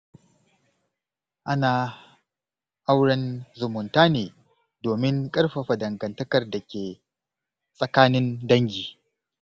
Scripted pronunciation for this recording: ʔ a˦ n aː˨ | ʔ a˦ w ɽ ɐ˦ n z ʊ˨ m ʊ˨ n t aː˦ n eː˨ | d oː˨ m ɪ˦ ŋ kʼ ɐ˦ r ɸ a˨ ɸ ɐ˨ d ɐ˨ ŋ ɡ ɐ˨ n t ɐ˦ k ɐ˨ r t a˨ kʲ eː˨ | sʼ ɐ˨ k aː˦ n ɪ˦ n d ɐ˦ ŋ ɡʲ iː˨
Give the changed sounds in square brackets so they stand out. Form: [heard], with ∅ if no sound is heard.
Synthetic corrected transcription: ʔ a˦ n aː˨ | ʔ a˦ w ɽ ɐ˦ n z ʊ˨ m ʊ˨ n t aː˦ n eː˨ | d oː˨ m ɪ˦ ŋ kʼ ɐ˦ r ɸ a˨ ɸ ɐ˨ d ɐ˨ ŋ ɡ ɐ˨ n t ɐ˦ k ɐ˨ r [d] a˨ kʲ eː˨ | sʼ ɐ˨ k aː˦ n ɪ˦ n d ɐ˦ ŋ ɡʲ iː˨